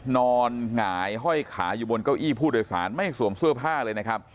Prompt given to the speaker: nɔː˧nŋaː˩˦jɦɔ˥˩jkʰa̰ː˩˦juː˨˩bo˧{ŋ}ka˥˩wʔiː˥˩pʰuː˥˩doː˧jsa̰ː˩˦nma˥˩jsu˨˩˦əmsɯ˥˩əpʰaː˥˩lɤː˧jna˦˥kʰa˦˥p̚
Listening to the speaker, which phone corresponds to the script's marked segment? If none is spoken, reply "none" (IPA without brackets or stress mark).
n